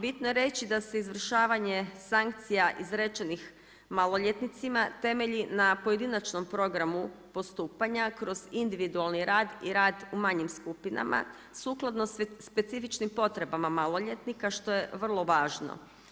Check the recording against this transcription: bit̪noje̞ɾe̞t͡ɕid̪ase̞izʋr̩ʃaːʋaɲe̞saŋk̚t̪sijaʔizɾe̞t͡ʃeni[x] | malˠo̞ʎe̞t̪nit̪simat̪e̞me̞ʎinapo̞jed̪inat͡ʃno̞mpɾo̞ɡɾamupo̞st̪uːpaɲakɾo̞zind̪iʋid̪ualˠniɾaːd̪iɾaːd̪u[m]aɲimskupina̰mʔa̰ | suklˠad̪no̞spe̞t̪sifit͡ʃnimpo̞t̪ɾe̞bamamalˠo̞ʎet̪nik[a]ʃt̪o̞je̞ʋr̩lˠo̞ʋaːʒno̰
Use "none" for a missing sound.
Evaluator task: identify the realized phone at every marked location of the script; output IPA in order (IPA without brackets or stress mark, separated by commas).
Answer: x, m, a